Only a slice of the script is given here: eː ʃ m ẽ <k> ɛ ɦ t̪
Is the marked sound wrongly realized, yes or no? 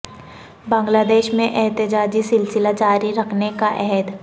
yes